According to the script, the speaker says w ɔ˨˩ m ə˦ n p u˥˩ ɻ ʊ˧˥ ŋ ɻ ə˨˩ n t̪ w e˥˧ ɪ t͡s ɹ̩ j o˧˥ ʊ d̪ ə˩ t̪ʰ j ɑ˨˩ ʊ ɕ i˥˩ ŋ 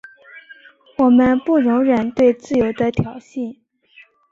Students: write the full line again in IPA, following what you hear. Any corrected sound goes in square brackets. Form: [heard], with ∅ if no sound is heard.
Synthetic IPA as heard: w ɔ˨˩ m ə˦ n p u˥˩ ɻ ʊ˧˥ ŋ ɻ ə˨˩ n t̪ w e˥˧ ɪ t͡s ɹ̩ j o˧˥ ʊ d̪ [ə˧] t̪ʰ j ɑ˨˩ ʊ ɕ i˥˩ [n]